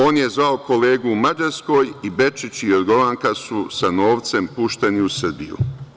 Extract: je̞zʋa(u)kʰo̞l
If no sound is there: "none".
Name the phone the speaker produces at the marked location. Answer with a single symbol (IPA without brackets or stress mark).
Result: o